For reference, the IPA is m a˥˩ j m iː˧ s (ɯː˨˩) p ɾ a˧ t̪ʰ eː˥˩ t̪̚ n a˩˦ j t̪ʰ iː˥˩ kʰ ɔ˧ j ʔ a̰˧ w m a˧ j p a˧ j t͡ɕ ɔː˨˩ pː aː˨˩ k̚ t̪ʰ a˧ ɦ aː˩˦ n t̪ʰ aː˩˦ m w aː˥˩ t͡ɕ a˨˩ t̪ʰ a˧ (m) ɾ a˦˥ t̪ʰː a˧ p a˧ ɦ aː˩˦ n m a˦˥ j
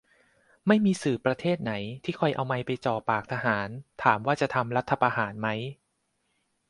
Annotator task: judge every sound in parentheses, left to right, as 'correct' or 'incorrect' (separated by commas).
correct, correct